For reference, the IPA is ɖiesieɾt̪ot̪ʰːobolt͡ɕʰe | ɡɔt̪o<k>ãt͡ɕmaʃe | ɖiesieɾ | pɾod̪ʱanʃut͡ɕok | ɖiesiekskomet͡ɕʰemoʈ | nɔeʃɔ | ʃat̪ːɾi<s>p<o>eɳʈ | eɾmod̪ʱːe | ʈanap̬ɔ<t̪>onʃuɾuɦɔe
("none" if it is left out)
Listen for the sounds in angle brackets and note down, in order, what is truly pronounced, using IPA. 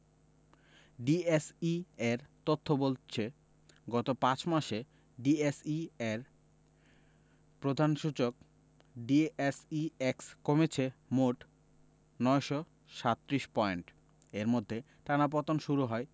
p, ʃ, ɔ, t̪

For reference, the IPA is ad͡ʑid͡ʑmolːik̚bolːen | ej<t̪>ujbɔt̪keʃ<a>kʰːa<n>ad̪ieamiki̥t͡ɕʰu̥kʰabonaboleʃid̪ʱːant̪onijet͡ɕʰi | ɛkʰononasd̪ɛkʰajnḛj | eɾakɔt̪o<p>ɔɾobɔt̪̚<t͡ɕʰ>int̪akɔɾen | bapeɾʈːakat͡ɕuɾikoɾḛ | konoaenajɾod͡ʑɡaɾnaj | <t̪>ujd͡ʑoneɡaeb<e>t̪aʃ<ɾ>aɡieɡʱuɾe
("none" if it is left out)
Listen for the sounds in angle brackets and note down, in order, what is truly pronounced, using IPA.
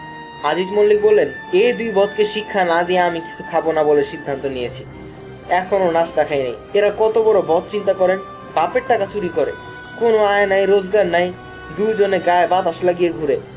d̪, i, n, b, t͡ɕ, d̪, a, l

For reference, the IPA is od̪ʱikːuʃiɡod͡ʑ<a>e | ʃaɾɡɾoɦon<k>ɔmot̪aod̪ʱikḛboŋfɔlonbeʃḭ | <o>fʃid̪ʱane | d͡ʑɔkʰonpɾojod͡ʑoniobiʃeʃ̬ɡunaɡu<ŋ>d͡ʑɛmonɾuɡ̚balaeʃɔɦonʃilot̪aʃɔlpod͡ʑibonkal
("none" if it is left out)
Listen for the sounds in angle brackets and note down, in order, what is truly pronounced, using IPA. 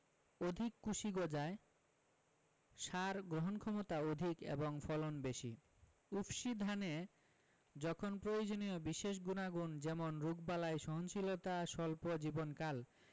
a, kʰ, u, n

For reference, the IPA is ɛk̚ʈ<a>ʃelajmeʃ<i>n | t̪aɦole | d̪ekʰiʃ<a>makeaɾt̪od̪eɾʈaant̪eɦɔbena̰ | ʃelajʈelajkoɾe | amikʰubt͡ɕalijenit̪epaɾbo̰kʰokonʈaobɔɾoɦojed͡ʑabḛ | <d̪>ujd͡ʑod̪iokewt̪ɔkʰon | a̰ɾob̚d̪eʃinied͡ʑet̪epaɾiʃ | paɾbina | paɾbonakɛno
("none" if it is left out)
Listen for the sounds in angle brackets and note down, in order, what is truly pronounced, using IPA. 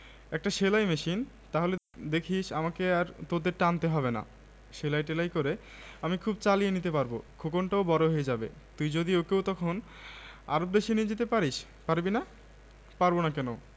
a, i, a, t̪

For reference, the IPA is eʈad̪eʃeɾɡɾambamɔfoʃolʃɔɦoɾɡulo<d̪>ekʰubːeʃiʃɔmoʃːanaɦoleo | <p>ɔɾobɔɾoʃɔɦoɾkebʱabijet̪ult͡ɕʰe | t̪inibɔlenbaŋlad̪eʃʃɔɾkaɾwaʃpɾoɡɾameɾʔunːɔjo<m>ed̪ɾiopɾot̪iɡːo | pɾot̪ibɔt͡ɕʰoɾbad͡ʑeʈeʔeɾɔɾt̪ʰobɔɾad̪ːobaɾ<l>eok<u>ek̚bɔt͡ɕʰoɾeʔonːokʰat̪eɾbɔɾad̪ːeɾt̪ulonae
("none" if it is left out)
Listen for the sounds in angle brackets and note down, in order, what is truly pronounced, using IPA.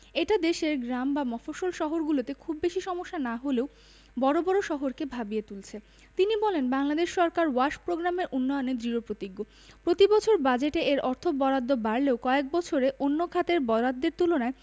t̪, b, n, l, ɔ

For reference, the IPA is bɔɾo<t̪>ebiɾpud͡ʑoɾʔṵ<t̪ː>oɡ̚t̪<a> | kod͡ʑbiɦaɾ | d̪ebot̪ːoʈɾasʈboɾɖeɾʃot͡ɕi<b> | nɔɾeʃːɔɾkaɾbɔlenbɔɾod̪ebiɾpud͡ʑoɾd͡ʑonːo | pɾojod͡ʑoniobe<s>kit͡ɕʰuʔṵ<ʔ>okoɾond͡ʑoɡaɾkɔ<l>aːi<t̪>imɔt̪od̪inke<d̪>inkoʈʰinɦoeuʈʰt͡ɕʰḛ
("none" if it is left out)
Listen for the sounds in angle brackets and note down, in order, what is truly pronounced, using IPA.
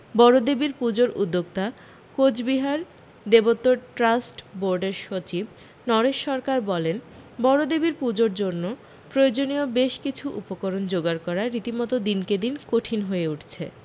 d̪, d̪ː, a, b, ʃ, p, ɾ, t̪, d̪

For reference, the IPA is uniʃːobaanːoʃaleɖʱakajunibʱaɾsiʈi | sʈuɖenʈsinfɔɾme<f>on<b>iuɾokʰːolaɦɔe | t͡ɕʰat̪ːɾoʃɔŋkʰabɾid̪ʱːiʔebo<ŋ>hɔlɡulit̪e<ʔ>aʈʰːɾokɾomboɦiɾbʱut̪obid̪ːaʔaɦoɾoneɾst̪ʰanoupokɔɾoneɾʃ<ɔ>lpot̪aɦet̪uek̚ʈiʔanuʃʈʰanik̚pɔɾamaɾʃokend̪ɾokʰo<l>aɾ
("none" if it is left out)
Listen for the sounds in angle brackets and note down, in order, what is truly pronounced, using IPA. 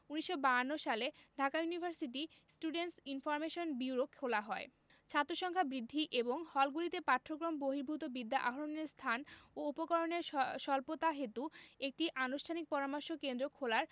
ʃ, b, ŋ, p, ɔ, l

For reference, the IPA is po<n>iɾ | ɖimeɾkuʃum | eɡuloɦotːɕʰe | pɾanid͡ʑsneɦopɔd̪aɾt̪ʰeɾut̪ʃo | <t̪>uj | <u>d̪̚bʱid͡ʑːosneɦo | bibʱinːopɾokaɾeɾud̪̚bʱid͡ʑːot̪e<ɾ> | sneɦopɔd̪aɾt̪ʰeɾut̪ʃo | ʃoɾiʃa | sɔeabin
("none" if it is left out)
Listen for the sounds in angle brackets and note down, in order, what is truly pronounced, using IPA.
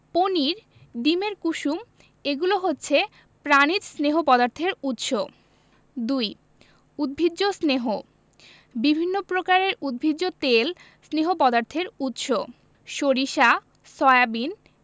n, d̪, u, l

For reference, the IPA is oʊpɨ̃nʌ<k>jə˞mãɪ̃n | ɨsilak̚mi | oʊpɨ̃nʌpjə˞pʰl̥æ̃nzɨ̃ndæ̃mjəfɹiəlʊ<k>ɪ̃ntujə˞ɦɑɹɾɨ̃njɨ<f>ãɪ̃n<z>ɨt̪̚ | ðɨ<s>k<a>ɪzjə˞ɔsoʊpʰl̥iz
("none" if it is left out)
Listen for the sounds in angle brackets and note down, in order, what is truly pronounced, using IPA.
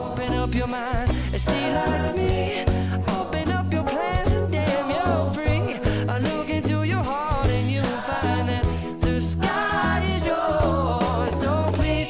p, k, f, ð, s, a

